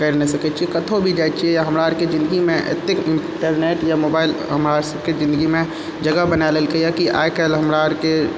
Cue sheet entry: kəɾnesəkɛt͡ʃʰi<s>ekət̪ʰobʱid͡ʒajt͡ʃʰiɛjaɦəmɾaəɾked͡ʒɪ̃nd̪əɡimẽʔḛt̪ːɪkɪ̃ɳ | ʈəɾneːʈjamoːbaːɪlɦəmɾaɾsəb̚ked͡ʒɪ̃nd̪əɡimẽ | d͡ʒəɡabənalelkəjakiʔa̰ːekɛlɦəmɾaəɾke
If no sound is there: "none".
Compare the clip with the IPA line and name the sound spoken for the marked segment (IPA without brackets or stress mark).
none